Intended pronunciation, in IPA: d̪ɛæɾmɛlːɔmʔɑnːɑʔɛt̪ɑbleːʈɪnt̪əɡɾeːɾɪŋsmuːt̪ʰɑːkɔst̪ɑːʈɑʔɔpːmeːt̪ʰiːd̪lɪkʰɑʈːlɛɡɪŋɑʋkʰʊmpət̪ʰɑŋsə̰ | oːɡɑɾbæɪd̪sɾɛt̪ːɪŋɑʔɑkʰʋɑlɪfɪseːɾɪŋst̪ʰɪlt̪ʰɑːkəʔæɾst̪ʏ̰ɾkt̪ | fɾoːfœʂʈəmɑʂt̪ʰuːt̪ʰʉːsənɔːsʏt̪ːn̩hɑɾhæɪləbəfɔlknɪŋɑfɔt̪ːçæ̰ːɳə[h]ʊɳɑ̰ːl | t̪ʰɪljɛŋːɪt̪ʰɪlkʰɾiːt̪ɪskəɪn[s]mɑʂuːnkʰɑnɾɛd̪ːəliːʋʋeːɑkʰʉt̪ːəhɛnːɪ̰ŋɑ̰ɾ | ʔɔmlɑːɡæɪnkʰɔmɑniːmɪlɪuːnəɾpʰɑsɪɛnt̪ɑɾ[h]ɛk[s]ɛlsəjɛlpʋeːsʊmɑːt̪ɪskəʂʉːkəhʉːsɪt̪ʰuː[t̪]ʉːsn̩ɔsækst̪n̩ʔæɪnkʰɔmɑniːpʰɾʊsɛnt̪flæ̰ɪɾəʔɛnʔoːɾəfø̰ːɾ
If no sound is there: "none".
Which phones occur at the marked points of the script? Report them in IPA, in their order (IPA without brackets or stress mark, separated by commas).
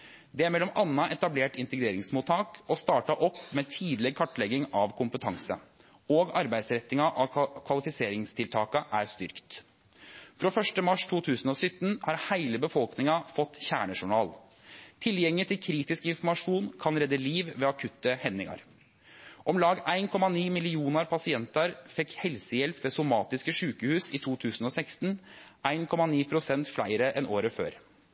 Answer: ʂ, f, f, h, t̪ʰ